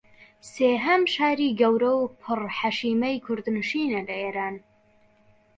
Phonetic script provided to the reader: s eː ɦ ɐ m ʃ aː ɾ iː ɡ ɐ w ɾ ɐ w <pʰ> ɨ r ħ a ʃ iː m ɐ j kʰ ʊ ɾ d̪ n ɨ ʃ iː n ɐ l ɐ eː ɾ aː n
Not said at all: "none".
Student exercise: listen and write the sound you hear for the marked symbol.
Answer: pʰ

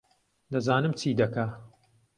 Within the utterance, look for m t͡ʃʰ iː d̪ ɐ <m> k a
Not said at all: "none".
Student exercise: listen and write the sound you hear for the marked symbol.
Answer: none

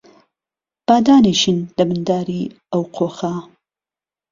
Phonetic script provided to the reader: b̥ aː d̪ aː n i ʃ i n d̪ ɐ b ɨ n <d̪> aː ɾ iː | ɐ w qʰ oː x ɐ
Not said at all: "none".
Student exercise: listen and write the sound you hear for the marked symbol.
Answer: d̪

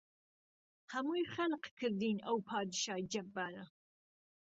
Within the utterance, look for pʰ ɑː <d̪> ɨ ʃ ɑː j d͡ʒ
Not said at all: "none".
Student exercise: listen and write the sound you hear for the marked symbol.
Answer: d̪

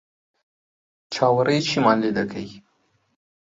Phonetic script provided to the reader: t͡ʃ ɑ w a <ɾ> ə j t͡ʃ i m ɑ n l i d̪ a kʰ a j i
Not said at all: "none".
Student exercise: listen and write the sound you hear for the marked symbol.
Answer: ɾ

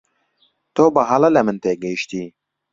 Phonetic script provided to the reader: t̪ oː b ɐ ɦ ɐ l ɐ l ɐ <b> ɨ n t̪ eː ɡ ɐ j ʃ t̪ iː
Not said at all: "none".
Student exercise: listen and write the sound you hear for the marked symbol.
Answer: m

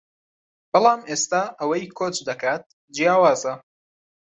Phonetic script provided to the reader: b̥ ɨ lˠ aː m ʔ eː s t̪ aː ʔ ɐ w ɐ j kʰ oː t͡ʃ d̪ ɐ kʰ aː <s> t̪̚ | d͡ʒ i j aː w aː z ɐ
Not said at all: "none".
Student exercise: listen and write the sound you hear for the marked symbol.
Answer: none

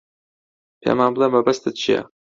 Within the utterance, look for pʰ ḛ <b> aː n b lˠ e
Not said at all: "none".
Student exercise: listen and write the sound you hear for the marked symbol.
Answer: m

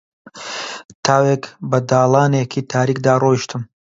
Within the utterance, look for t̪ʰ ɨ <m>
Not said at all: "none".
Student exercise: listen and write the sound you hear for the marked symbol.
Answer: m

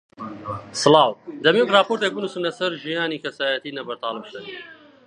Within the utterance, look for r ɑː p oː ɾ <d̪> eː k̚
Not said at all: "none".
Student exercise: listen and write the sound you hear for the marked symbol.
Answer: t̪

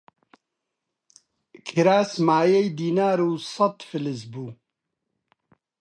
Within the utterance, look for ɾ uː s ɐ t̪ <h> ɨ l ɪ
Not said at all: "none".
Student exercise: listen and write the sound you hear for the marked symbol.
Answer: f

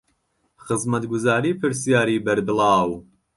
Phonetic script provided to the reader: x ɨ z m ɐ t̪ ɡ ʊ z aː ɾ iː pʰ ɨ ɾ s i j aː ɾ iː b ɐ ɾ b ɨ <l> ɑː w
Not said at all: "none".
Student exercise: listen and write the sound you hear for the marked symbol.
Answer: l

